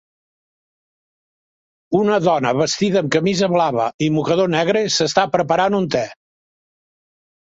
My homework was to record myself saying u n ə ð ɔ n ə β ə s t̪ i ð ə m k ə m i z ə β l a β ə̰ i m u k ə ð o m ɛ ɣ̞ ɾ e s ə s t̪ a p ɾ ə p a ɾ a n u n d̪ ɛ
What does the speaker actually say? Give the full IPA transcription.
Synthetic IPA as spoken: u n ə ð ɔ n ə β ə s t̪ i ð əː m k ə m i z ə β l a β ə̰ i m u k ə ð o n ɛ ɣ̞ ɾ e s ə s t̪ a p ɾ ə p ə ɾ a n u n t̪ ɛ